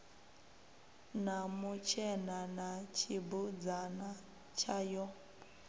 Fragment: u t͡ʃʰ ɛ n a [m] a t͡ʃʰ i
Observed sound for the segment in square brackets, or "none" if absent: n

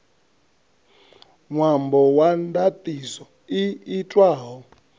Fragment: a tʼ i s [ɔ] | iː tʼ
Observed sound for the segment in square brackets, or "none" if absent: ɔ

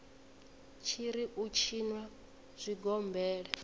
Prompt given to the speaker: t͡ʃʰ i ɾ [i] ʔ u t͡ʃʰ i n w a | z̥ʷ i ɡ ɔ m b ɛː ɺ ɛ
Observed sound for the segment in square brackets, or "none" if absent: i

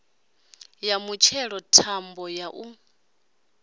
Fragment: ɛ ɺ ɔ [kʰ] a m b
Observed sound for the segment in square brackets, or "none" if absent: tʰ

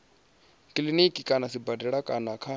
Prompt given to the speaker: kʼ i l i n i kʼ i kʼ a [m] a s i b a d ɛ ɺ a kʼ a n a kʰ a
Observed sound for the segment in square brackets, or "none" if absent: n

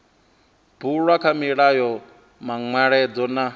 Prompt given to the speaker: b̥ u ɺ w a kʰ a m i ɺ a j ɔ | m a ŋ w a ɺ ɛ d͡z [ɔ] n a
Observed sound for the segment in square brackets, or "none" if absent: ɔ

